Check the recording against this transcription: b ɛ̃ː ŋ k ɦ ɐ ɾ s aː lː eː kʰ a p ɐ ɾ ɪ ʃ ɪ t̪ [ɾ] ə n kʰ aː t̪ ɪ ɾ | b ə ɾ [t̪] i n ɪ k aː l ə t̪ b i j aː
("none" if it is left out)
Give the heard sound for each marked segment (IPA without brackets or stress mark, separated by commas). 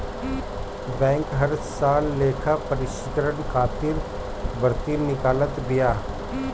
ɾ, t̪